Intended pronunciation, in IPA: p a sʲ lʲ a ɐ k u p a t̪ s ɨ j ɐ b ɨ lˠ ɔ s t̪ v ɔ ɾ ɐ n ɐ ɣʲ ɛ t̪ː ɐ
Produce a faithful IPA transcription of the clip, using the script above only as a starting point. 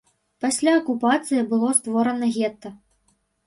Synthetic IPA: p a sʲ lʲ a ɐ k u p a t̪ s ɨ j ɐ b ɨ lˠ ɔ s t̪ v ɔ ɾ ɐ n ɐ ɣʲ ɛ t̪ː ɐ